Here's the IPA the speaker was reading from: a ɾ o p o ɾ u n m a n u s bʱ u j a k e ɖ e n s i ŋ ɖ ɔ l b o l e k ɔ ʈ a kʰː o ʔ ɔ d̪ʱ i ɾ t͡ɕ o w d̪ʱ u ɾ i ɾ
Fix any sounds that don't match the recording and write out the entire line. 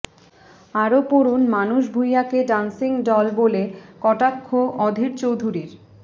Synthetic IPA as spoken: a ɾ o p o ɾ u n m a n u ʃ bʱ u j a k e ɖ a n s i ŋ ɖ ɔ l b o l e k ɔ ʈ a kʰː o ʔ ɔ d̪ʱ i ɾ t͡ɕ o w d̪ʱ u ɾ i ɾ